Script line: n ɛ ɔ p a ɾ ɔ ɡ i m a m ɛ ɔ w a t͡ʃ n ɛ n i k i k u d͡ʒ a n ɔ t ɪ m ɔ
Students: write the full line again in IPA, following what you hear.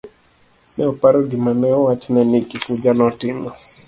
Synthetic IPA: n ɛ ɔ p a ɾ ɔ ɡ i m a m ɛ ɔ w a t͡ʃ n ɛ n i k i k u d͡ʒ a n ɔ t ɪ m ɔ

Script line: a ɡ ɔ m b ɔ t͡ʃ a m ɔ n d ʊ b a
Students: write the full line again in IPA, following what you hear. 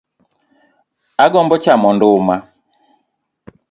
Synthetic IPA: a ɡ ɔ m b ɔ t͡ʃ a m ɔ n d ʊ m a

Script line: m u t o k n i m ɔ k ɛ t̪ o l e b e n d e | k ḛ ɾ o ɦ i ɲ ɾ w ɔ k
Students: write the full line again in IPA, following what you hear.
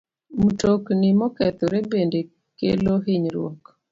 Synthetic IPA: m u t o k n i m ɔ k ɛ t̪ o ɾ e b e n d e | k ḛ l o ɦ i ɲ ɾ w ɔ k

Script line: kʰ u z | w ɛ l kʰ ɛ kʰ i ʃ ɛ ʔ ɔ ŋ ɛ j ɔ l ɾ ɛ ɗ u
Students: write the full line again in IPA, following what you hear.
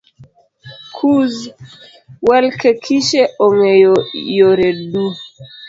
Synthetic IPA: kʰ u z | w ɛ l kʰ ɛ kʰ i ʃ ɛ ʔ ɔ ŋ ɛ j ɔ ɾ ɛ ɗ u

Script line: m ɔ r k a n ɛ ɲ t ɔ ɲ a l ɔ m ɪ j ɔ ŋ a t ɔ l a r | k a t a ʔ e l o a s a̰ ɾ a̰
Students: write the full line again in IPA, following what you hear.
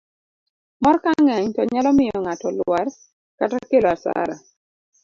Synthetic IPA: m ɔ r k a ŋ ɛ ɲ t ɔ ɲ a l ɔ m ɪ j ɔ ŋ a t ɔ l a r | k a t a k e l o a s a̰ ɾ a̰

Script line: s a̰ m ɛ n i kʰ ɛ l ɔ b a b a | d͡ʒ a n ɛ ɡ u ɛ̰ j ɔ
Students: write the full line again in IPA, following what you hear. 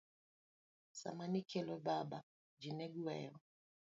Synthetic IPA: s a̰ m a n i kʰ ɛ l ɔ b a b a | d͡ʒ i n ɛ ɡ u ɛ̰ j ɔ

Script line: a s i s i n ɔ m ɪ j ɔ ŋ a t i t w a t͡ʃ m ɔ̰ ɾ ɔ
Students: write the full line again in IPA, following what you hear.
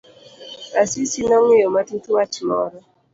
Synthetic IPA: a s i s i n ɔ ŋ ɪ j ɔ m a t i t w a t͡ʃ m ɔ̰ ɾ ɔ

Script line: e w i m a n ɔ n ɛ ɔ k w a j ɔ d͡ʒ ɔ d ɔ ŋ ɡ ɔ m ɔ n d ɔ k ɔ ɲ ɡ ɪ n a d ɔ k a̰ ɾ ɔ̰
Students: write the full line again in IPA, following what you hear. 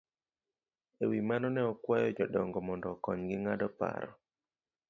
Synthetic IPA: e w i m a n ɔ n ɛ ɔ k w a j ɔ d͡ʒ ɔ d ɔ ŋ ɡ ɔ m ɔ n d ɔ k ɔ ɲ ɡ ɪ ŋ a d ɔ p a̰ ɾ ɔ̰

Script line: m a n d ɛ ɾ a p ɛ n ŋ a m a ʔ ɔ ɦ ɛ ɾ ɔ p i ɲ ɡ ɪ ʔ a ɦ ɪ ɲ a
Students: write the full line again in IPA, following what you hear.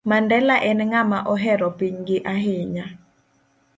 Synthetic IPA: m a n d ɛ l a ʔ ɛ n ŋ a m a ʔ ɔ ɦ ɛ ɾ ɔ p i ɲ ɡ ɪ ʔ a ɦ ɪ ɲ a

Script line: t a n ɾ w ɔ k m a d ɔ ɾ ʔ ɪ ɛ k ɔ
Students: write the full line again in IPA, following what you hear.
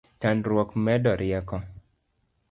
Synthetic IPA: t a n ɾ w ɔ k m ɛ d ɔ ɾ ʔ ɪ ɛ k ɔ

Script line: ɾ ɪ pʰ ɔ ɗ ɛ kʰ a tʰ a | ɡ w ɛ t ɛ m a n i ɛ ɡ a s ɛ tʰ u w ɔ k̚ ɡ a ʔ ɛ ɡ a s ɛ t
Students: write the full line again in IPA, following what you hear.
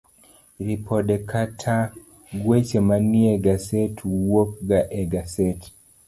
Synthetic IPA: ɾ i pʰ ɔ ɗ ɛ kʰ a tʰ a | ɡ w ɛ t͡ʃ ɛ m a n i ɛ ɡ a s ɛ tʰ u w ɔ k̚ ɡ a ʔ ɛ ɡ a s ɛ t

